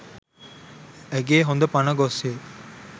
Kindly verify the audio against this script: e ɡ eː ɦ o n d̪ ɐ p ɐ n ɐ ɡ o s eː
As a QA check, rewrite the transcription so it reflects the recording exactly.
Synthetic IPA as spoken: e ɡ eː ɦ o n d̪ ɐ p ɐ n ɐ ɡ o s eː